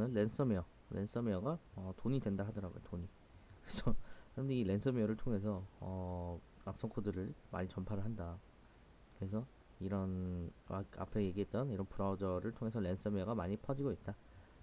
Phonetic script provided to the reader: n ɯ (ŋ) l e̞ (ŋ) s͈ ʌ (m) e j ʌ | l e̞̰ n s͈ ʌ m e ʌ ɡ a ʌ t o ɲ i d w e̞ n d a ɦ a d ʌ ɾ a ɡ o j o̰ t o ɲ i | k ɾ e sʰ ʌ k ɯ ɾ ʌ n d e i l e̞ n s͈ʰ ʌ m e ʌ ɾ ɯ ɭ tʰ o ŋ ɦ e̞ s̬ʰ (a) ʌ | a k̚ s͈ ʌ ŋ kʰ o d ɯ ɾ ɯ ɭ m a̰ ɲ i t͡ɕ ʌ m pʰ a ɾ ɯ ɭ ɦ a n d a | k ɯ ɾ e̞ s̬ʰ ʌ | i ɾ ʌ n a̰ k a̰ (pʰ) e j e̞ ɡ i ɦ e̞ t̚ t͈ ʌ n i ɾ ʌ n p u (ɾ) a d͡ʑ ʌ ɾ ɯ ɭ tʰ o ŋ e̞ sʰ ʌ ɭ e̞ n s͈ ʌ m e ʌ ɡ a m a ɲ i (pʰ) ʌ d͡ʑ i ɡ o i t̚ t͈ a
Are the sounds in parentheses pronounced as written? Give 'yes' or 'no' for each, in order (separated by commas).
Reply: no, no, yes, no, yes, yes, yes